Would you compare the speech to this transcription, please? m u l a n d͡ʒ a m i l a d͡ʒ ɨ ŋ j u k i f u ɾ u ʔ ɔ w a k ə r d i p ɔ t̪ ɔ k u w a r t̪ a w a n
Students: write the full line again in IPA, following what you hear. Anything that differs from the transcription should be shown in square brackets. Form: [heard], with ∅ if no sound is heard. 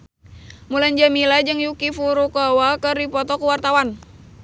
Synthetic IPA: m u l a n d͡ʒ a m i l a d͡ʒ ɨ ŋ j u k i f u ɾ u [k] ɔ w a k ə r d i p ɔ t̪ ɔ k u w a r t̪ a w a n